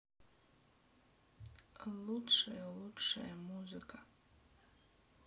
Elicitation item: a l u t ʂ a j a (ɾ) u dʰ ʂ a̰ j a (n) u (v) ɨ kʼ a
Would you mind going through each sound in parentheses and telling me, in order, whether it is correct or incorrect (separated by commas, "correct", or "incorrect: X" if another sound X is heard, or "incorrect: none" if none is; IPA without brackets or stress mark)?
incorrect: l, incorrect: m, incorrect: z